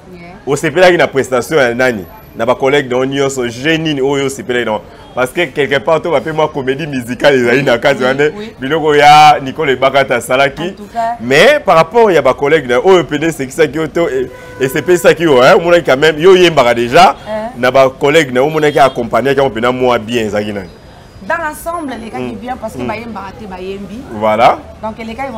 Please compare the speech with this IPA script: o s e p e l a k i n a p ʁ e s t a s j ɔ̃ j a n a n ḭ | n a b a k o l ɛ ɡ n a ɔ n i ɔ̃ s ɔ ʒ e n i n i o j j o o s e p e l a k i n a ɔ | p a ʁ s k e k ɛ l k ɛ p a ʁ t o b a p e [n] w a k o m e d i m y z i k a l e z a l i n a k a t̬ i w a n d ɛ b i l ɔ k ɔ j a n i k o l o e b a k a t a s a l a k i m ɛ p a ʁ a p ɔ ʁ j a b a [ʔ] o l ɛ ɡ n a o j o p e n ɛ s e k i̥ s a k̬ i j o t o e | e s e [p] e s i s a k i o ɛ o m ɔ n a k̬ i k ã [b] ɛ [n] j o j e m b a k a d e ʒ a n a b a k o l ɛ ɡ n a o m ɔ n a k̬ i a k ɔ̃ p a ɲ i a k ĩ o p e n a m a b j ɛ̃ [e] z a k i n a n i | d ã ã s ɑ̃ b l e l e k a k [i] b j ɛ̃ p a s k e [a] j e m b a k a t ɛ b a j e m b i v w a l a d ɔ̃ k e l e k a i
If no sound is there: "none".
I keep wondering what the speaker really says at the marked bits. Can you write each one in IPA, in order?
m, k, p, m, m, e, i, a

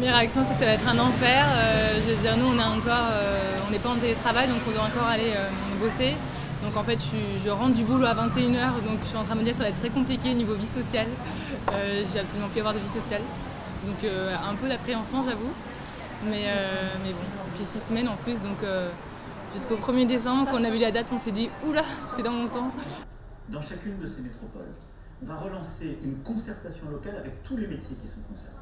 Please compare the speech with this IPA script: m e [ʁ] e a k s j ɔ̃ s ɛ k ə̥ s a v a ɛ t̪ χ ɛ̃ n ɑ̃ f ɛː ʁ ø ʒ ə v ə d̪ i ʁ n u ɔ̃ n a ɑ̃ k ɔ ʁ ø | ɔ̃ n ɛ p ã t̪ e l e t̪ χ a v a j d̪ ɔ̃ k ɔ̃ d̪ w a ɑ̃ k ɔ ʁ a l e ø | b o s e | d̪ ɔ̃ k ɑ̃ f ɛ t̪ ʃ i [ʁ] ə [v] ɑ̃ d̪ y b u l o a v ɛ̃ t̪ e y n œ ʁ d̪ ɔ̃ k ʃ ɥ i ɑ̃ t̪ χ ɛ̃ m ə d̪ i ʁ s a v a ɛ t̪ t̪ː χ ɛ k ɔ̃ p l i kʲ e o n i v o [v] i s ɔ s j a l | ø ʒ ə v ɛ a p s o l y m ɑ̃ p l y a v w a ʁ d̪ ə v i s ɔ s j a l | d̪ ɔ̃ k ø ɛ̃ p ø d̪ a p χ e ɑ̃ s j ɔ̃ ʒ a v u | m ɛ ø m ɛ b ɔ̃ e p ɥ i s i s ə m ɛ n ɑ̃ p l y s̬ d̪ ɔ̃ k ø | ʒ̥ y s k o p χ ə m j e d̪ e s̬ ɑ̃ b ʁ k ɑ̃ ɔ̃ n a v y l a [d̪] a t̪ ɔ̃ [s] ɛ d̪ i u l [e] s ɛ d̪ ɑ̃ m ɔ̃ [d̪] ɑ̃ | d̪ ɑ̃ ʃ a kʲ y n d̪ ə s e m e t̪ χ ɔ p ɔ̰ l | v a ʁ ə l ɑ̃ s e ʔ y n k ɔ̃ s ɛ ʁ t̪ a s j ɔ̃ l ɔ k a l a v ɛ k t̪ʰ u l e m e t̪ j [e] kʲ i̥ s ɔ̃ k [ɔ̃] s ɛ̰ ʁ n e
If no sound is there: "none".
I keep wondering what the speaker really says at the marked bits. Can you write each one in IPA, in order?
ʁ, ʒ, ʁ, v, d̪, s, a, t̪, e, ɔ̃

